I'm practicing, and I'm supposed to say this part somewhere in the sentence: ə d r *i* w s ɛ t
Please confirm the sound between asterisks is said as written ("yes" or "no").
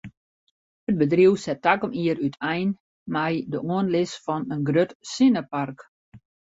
yes